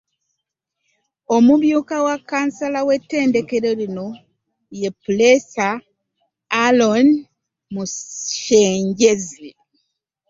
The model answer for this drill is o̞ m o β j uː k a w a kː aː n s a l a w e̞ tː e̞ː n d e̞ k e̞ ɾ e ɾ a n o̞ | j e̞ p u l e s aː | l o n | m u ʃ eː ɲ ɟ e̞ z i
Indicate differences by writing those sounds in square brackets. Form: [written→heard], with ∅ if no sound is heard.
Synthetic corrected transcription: o̞ m [o→u] β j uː k a w a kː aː n s a l a w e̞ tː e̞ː n d e̞ k e̞ ɾ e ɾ [a→i] n o̞ | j e̞ p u l e s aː | l o n | m u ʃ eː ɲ ɟ e̞ z i

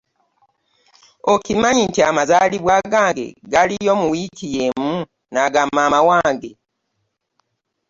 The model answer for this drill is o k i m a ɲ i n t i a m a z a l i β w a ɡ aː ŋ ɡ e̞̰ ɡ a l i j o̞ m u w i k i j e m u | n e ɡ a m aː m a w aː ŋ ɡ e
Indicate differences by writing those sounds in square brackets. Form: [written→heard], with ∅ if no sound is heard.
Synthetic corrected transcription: o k i m a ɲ i n t i a m a z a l i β w a ɡ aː ŋ ɡ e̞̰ ɡ a l i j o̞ m u w i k i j e m u | n [e→a] ɡ a m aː m a w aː ŋ ɡ e

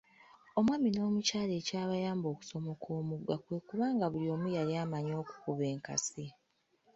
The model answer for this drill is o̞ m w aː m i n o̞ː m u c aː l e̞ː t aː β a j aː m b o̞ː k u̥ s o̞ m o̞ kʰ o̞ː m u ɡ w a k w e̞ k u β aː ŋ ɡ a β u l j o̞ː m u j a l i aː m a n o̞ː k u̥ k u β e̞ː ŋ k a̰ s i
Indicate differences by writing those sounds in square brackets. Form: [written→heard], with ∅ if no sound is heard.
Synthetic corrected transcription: o̞ m w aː m i n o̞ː m u c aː l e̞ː [t→c] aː β a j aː m b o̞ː k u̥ s o̞ m o̞ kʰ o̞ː m u ɡ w a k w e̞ k u β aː ŋ ɡ a β u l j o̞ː m u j a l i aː m a [n→ɲ] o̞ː k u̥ k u β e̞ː ŋ k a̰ s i

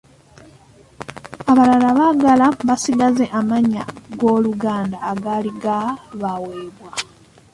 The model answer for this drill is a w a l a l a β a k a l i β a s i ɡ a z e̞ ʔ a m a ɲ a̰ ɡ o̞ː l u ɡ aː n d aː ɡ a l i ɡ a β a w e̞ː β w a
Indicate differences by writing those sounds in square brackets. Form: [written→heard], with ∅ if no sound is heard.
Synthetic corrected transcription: a [w→β] a l a l a β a [k→ɡ] a l [i→a] β a s i ɡ a z e̞ ʔ a m a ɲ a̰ ɡ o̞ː l u ɡ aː n d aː ɡ a l i ɡ a β a w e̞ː β w a

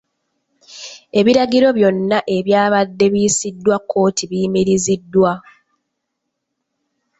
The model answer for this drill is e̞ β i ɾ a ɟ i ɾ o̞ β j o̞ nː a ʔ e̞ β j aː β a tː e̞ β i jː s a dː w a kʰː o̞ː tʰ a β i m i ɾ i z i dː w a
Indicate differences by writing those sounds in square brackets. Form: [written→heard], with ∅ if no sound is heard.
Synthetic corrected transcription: e̞ β i ɾ a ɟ i ɾ o̞ β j o̞ nː a ʔ e̞ β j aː β a [tː→dː] e̞ β i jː s [a→i] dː w a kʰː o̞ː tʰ [a→i] β i m i ɾ i z i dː w a

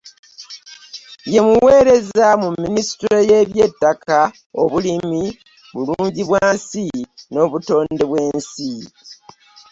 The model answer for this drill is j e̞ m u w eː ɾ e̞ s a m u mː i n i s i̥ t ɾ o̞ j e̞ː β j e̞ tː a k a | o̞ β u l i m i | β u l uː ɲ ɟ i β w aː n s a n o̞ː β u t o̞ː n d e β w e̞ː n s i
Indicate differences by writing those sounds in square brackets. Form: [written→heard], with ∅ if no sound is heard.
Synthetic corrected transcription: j e̞ m u w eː ɾ e̞ [s→z] a m u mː i n i s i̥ t ɾ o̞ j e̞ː β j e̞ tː a k a | o̞ β u l i m i | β u l uː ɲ ɟ i β w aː n s [a→i] n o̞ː β u t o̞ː n d e β w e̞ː n s i

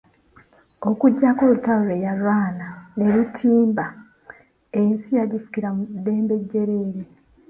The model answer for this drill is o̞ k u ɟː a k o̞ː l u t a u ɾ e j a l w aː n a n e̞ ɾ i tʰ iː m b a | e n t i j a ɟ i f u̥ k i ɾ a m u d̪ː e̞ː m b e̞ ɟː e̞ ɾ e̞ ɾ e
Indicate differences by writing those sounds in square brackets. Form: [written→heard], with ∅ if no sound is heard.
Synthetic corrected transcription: o̞ k u ɟː a k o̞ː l u t a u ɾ e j a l w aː n a n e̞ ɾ i tʰ iː m b a | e n [t→s] i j a ɟ i f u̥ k i ɾ a m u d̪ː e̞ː m b e̞ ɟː e̞ ɾ e̞ ɾ e

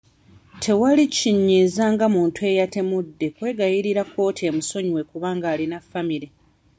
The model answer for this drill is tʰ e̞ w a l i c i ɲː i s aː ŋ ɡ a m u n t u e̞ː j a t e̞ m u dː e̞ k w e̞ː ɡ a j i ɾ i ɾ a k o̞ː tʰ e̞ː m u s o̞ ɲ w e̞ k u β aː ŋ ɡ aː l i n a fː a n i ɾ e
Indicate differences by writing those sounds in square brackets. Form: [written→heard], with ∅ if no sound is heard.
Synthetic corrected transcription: tʰ e̞ w a l i c i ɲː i [s→z] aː ŋ ɡ a m [u→uː] n t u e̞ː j a t e̞ m u dː e̞ k w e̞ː ɡ a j i ɾ i ɾ a k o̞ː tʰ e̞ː m u s o̞ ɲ w e̞ k u β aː ŋ ɡ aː l i n a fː a [n→m] i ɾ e

